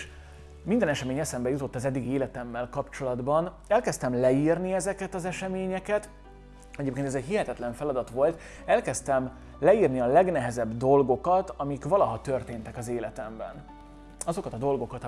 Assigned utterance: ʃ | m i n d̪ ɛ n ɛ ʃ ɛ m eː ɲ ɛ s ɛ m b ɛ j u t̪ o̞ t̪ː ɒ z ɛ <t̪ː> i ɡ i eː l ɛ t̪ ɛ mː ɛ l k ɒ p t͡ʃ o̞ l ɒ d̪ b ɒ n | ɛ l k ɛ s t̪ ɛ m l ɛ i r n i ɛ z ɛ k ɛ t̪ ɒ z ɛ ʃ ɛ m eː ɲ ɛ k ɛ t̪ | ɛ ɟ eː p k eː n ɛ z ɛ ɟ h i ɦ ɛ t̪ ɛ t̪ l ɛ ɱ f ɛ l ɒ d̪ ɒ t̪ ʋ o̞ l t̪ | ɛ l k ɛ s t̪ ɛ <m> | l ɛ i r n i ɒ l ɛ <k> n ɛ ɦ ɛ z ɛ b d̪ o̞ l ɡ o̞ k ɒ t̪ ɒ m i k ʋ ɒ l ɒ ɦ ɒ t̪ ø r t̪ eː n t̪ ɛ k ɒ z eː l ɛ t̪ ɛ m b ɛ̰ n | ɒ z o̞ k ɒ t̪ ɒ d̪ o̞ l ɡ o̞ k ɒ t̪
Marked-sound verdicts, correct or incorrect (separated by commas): incorrect, correct, incorrect